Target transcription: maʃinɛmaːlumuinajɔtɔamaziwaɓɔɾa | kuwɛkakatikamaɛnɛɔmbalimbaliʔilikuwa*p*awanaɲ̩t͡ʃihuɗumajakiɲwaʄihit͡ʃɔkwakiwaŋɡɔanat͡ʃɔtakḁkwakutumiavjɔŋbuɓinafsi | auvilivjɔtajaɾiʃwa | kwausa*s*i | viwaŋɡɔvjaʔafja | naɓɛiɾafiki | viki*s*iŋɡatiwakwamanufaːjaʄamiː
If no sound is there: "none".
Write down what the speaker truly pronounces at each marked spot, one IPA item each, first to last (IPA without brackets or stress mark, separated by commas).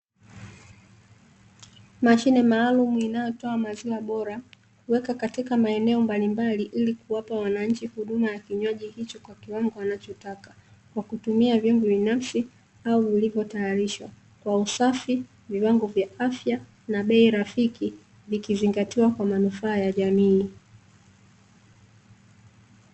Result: p, f, z